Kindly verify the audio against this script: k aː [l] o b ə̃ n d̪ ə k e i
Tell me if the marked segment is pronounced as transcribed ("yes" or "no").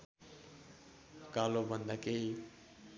yes